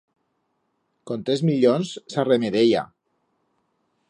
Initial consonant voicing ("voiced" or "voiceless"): voiceless